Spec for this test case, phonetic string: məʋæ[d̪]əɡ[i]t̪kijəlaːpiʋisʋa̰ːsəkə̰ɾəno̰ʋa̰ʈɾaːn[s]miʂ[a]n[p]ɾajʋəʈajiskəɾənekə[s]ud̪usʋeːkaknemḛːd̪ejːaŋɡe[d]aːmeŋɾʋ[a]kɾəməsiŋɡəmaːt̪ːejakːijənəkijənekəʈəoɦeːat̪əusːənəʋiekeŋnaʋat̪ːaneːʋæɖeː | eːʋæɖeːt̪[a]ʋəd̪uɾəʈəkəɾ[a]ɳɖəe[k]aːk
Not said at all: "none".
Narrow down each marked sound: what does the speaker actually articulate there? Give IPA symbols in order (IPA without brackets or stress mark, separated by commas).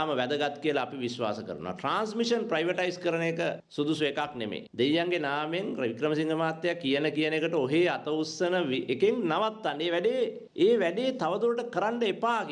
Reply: d̪, a, s, ə, p, s, n, i, a, a, p